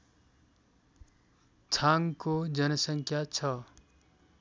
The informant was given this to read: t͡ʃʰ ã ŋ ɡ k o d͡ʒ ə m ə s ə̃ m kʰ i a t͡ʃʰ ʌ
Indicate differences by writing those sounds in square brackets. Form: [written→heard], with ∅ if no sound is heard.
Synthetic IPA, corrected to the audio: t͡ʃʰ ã ŋ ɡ k o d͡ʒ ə [m→n] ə s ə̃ [m→ŋ] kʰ [i→j] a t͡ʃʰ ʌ